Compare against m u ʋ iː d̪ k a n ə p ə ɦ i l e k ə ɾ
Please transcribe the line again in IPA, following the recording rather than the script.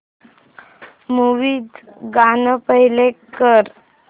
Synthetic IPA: m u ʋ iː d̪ ɡ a n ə p ə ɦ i l e k ə ɾ